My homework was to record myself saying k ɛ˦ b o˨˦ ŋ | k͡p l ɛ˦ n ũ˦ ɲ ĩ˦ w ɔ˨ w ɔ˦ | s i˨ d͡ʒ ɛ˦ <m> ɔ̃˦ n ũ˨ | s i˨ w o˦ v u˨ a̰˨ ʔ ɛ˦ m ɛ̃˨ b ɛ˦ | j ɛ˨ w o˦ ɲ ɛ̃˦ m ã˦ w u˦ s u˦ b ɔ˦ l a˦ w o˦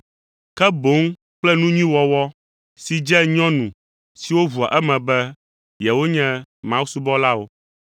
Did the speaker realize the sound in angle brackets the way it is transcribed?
no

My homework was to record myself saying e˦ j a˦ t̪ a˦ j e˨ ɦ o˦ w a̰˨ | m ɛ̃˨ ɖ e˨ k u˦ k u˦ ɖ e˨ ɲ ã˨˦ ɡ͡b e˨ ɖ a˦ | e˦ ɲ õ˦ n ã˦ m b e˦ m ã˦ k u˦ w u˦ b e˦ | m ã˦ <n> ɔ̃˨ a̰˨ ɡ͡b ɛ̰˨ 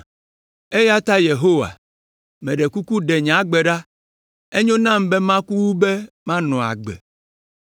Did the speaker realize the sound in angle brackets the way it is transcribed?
yes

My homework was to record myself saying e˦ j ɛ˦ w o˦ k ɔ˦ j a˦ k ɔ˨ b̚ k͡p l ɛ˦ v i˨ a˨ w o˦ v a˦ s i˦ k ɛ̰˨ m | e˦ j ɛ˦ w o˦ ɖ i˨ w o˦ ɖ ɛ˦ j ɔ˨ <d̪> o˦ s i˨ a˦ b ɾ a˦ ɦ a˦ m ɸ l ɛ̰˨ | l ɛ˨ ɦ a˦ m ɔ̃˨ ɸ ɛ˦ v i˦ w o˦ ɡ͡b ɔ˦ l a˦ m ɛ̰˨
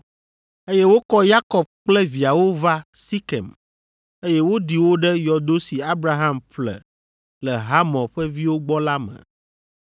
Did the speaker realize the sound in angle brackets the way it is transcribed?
yes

